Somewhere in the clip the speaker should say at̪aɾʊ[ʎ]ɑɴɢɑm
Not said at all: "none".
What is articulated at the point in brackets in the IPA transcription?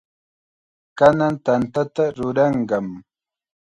ɾ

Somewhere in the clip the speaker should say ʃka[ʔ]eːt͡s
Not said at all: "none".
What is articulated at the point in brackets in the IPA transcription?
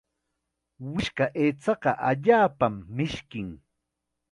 ʔ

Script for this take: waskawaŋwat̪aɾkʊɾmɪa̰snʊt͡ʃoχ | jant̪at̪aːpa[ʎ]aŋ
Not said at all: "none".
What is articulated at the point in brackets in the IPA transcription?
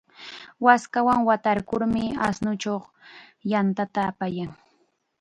j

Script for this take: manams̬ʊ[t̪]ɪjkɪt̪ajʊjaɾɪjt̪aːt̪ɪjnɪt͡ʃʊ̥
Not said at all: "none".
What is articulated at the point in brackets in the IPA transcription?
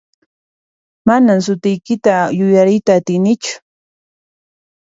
t̪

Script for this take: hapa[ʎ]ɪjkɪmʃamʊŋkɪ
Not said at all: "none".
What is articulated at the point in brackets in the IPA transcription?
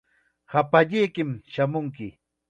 ʎ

